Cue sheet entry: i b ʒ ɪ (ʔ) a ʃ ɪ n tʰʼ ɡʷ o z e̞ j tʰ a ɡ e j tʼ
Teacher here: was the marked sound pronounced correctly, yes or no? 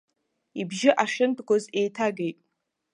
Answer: yes